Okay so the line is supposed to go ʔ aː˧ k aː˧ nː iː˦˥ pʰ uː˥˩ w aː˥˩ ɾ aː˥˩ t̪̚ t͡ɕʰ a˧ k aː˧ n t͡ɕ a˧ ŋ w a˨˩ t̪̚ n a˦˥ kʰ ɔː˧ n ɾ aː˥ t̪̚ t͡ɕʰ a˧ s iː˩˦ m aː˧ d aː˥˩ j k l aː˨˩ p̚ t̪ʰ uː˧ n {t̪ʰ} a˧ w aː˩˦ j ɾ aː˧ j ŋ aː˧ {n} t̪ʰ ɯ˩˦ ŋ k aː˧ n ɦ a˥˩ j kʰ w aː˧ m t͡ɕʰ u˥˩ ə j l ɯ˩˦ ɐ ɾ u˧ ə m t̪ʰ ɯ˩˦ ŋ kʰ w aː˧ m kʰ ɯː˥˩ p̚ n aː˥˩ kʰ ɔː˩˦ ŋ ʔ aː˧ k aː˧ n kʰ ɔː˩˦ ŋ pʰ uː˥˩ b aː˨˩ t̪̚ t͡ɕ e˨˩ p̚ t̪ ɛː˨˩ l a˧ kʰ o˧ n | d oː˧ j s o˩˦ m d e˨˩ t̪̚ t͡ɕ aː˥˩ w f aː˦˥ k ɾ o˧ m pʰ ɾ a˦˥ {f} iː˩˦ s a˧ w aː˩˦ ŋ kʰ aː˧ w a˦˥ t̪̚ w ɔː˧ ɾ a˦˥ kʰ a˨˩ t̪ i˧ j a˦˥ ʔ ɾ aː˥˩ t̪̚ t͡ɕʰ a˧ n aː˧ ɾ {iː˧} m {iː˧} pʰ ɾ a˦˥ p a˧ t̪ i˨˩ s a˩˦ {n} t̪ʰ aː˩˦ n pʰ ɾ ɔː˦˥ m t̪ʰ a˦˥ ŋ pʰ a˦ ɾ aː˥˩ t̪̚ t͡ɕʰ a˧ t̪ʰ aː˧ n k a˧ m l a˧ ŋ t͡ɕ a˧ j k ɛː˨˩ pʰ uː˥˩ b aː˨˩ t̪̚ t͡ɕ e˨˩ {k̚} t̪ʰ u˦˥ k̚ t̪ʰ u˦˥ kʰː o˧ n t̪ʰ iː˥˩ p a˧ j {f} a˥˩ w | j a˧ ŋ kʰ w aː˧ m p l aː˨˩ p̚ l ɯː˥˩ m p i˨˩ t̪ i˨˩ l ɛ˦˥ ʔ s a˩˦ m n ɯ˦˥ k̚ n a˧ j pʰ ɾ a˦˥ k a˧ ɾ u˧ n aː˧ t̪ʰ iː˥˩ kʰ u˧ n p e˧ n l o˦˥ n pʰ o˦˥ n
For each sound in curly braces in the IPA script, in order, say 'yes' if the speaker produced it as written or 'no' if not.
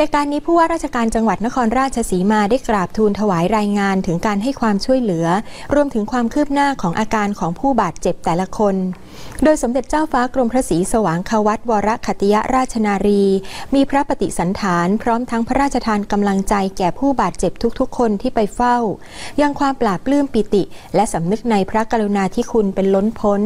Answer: yes, yes, no, yes, yes, yes, no, yes

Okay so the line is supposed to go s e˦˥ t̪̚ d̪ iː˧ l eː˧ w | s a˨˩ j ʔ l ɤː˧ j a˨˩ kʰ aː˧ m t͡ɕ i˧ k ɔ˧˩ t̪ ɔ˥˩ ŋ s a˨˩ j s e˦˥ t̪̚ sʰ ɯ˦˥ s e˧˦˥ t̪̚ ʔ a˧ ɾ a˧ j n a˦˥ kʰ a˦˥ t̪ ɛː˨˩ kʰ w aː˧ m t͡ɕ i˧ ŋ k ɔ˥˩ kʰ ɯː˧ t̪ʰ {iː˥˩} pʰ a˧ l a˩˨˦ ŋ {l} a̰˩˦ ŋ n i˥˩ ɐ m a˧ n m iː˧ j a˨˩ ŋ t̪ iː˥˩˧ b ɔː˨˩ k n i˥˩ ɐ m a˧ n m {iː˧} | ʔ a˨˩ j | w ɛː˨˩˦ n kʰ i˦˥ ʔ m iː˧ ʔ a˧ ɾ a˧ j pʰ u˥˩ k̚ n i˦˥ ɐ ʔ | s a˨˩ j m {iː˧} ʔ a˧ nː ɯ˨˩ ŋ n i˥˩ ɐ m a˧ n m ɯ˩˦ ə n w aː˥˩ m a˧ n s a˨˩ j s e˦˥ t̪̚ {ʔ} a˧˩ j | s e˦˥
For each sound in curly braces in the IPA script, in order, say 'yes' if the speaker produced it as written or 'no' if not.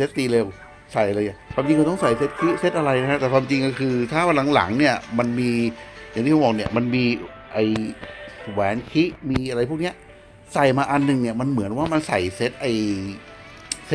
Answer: no, yes, yes, no, yes

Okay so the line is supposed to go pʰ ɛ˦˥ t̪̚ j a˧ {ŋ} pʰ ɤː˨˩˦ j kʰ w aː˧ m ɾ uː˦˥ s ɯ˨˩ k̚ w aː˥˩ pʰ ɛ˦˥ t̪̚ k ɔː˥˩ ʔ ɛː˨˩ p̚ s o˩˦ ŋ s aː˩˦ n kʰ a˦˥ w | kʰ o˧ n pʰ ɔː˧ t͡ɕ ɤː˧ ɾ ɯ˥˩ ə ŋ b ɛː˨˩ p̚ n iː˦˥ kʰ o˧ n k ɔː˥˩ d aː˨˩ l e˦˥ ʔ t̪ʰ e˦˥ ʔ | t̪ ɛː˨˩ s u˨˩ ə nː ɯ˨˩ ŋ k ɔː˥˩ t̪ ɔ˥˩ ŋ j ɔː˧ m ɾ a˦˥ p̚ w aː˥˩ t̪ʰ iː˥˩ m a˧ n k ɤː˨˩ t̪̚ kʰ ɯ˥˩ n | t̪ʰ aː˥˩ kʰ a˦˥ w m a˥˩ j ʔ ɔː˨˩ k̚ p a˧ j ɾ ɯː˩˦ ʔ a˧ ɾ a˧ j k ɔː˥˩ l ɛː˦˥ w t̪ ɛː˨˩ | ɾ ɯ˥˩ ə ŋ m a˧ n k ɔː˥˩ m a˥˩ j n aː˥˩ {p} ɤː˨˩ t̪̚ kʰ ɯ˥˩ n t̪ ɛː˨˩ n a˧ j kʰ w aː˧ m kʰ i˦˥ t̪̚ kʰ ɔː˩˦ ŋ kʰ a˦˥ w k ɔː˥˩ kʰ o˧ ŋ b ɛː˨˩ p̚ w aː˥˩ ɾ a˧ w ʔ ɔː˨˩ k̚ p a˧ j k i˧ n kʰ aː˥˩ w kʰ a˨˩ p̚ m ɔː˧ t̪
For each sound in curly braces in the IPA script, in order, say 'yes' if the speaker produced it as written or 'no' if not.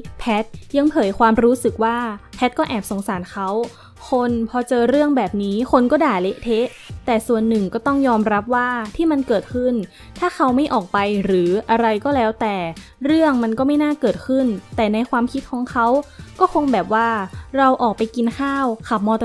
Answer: yes, no

